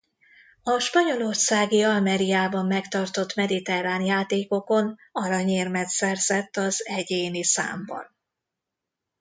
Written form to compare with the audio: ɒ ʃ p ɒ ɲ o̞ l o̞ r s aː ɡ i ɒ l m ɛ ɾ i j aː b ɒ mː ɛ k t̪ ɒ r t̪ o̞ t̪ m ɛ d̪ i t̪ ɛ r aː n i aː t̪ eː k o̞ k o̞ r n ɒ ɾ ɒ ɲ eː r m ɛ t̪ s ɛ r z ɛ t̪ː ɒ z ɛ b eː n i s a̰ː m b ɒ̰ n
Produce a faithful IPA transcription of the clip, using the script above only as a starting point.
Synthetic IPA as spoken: ɒ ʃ p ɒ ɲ o̞ l o̞ r s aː ɡ i ɒ l m ɛ ɾ i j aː b ɒ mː ɛ k t̪ ɒ r t̪ o̞ t̪ m ɛ d̪ i t̪ ɛ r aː n j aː t̪ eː k o̞ k o̞ n ɒ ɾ ɒ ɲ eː r m ɛ t̪ s ɛ r z ɛ t̪ː ɒ z ɛ ɟ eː n i s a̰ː m b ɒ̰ n

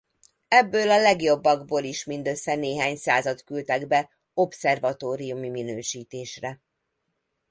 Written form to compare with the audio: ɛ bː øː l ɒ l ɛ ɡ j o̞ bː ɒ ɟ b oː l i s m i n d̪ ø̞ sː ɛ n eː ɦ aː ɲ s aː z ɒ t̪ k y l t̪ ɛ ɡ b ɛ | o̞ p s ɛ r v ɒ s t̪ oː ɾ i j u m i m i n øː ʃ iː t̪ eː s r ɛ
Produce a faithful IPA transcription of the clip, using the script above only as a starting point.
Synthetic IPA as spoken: ɛ bː øː l ɒ l ɛ ɡ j o̞ bː ɒ ɡ b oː l i ʃ m i n d̪ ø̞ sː ɛ n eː ɦ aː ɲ s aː z ɒ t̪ k y l t̪ ɛ ɡ b ɛ | o̞ p s ɛ r v ɒ t̪ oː ɾ i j u m i m i n øː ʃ iː t̪ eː ʃ r ɛ

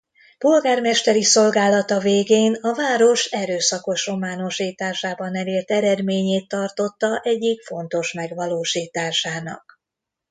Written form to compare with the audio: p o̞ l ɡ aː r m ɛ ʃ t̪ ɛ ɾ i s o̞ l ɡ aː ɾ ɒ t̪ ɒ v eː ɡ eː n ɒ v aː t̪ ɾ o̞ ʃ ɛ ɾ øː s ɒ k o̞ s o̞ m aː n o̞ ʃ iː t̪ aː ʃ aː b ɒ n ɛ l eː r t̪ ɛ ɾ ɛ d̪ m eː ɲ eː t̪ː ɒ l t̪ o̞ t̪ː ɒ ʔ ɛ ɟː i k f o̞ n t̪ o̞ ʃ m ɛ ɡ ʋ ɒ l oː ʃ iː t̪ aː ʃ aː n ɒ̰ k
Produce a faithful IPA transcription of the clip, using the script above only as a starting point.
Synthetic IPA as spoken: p o̞ l ɡ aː r m ɛ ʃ t̪ ɛ ɾ i s o̞ l ɡ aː l ɒ t̪ ɒ v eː ɡ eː n ɒ v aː ɾ o̞ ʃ ɛ ɾ øː s ɒ k o̞ ʃ o̞ m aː n o̞ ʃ iː t̪ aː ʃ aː b ɒ n ɛ l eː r t̪ ɛ ɾ ɛ d̪ m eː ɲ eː t̪ː ɒ r t̪ o̞ t̪ː ɒ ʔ ɛ ɟː i k f o̞ n t̪ o̞ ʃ m ɛ ɡ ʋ ɒ l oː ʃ iː t̪ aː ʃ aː n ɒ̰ k

